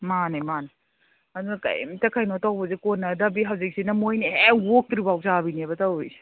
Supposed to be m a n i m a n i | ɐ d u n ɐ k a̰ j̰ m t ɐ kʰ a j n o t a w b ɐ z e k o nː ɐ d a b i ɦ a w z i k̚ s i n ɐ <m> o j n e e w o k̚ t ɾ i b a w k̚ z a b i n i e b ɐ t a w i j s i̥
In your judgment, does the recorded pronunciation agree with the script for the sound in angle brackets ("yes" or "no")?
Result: yes